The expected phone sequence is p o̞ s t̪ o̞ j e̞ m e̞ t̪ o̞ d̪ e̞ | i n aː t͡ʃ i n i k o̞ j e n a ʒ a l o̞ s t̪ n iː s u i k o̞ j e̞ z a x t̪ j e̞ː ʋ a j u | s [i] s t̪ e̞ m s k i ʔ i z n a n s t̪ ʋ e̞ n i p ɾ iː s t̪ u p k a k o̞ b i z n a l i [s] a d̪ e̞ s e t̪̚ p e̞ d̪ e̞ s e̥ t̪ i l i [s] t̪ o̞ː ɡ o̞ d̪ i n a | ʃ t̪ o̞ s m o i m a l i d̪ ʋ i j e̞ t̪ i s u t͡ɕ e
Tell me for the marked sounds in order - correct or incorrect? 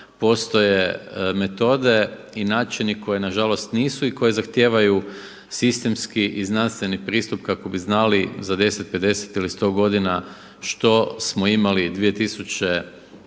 correct, incorrect: z, correct

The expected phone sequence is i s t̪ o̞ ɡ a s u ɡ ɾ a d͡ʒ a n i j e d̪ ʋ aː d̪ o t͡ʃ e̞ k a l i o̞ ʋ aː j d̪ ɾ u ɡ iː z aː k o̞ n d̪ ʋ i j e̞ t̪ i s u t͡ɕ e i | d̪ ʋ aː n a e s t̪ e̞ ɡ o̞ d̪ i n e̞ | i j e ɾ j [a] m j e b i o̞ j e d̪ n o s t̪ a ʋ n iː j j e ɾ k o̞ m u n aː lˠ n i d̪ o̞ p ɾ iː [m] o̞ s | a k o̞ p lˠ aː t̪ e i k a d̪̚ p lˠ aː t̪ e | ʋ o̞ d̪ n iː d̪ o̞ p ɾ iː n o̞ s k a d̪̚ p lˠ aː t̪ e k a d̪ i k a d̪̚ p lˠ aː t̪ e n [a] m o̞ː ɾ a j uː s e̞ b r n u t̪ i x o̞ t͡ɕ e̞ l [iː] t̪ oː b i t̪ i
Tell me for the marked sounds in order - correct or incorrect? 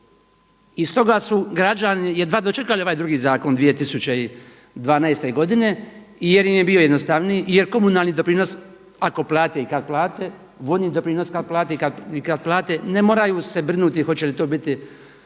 incorrect: i, incorrect: n, incorrect: e, incorrect: i

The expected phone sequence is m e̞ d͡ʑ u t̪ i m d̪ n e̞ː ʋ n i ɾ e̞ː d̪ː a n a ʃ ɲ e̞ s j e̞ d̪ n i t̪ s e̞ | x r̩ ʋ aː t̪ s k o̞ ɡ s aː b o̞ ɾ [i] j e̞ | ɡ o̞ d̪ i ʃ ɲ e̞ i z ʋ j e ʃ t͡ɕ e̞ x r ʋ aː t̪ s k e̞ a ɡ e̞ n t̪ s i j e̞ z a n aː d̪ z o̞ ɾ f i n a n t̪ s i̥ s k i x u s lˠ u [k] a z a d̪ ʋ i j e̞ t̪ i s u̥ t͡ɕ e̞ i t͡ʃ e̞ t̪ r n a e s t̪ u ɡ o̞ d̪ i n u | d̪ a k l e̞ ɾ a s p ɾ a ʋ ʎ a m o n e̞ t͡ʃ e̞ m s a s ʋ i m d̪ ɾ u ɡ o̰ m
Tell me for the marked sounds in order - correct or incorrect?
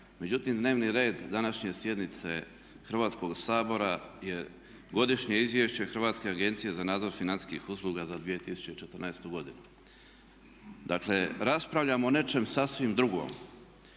incorrect: a, incorrect: ɡ

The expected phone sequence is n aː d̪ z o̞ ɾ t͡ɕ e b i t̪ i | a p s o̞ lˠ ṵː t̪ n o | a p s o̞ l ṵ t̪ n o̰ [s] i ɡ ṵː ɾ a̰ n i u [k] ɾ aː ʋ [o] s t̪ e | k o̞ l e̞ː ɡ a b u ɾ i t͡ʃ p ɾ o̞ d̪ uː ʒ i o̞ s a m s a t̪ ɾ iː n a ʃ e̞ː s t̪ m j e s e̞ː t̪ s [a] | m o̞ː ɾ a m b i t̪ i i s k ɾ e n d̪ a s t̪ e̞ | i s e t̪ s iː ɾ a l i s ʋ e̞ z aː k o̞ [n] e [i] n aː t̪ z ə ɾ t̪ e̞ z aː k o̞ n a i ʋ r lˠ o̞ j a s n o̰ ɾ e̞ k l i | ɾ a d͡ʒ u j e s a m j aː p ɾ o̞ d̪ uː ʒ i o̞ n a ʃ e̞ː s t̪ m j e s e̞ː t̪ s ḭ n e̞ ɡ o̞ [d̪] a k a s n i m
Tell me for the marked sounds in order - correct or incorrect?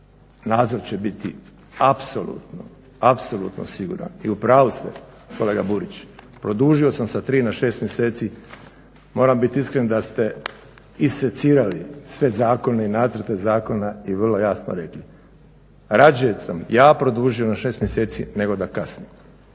correct, incorrect: p, incorrect: u, incorrect: i, correct, correct, correct

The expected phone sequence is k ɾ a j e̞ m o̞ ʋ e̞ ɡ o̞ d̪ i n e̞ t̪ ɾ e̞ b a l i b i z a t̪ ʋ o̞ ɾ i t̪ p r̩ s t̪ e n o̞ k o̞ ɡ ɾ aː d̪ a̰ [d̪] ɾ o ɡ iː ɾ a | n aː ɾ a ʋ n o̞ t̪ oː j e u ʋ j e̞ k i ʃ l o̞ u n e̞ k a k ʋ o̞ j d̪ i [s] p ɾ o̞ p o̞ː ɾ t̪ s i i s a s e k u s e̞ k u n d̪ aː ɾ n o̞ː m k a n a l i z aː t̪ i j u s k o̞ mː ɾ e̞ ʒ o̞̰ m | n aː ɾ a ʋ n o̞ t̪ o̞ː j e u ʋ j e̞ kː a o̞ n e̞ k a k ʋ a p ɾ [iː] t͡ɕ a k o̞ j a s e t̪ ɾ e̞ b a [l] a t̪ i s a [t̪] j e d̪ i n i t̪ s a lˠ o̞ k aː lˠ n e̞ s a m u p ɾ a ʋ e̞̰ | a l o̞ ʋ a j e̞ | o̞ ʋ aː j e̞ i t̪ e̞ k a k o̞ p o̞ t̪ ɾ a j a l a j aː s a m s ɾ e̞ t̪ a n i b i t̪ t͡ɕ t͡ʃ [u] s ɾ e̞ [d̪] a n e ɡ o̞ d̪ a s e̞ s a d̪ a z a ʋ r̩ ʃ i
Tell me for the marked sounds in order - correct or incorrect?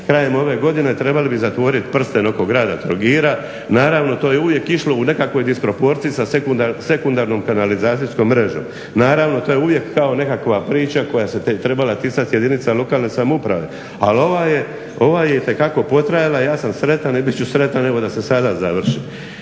incorrect: t̪, correct, correct, correct, correct, correct, incorrect: t̪

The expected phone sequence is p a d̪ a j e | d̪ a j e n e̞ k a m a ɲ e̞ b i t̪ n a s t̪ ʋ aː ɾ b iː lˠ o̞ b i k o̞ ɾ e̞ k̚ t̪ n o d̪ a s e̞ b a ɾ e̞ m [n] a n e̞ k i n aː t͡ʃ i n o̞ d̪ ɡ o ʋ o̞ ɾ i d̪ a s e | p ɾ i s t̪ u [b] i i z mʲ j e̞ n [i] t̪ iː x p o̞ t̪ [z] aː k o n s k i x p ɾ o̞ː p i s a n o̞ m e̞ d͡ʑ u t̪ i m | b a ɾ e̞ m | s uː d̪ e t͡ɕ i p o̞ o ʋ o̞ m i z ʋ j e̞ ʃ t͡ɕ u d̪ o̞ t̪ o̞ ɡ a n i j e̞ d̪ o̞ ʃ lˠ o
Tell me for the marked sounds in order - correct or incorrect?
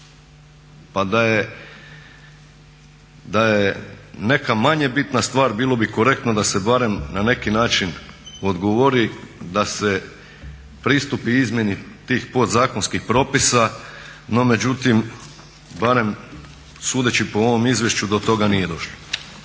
correct, incorrect: p, correct, correct

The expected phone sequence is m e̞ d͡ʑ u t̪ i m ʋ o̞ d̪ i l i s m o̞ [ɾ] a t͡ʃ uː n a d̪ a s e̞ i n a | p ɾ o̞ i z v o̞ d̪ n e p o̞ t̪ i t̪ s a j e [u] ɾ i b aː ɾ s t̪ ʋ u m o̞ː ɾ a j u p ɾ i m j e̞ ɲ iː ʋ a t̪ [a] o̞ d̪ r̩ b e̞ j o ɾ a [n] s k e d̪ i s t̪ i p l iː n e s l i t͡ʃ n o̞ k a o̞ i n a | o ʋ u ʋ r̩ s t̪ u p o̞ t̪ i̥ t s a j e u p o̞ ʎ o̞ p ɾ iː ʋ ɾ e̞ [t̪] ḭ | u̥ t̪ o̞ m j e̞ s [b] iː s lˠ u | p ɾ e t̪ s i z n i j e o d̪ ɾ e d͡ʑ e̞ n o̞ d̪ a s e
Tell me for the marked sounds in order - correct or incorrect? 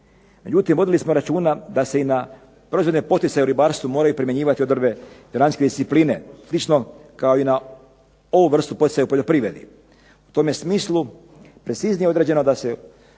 correct, correct, incorrect: i, correct, incorrect: d̪, incorrect: m

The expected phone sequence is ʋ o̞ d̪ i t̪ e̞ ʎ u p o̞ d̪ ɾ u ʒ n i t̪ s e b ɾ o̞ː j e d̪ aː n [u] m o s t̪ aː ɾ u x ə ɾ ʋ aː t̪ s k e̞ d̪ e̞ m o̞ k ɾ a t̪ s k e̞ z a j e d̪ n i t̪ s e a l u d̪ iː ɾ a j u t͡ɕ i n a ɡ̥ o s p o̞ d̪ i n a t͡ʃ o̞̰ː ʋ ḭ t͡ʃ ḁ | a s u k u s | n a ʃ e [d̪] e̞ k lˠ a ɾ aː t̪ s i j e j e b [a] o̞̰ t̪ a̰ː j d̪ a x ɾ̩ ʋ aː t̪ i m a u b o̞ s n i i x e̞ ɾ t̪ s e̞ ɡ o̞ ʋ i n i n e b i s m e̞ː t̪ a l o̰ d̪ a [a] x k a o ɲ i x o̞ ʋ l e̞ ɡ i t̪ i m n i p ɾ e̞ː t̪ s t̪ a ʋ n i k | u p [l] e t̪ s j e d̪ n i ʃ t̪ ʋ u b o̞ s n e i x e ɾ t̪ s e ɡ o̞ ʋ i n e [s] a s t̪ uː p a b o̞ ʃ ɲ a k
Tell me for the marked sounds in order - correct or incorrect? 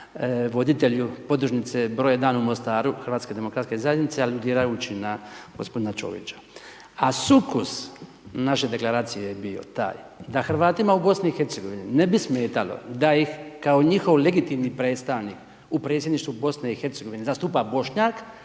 correct, correct, incorrect: i, incorrect: i, incorrect: ɾ, incorrect: z

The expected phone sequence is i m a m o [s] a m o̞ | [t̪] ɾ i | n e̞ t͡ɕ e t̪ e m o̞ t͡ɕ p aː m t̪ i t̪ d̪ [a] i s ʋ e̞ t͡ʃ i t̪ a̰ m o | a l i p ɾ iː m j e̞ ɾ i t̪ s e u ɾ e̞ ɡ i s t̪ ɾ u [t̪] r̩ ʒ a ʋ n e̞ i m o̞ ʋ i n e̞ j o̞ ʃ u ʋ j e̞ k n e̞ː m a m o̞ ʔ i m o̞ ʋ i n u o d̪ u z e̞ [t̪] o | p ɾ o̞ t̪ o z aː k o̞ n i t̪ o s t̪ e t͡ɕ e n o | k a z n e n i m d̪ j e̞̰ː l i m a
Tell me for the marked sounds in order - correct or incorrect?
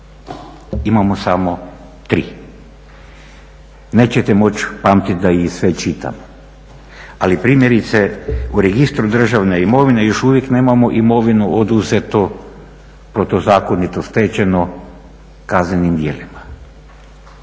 correct, correct, correct, incorrect: d̪, correct

